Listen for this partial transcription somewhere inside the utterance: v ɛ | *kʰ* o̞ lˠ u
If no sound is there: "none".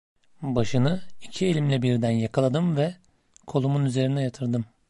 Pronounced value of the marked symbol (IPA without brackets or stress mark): kʰ